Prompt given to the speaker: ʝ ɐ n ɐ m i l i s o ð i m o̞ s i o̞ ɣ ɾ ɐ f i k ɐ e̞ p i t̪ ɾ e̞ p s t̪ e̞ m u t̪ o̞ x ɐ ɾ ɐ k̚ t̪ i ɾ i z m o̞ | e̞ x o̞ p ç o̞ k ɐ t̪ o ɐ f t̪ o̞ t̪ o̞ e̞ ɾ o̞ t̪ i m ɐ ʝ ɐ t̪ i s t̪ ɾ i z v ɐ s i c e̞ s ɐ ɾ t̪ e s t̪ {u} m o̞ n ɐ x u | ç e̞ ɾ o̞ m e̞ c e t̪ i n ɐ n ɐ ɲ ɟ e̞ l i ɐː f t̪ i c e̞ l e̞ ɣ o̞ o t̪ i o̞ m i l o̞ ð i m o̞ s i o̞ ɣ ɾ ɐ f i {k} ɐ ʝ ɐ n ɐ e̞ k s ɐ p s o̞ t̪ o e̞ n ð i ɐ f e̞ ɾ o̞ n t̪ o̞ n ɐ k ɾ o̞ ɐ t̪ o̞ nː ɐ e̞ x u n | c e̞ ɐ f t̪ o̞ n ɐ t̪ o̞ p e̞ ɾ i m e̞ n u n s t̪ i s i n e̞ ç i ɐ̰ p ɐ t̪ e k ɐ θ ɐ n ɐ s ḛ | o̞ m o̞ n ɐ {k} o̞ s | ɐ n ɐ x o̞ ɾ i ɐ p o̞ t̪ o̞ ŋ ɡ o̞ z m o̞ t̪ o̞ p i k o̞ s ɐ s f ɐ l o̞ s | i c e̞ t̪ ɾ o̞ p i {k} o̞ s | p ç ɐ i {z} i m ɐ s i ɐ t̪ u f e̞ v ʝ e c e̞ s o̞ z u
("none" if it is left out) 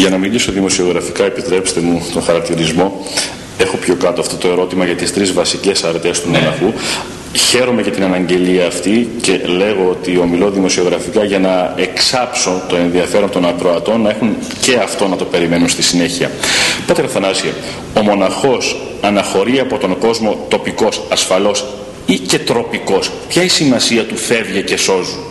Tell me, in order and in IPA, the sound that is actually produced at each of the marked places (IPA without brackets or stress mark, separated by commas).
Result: u, k, x, k, s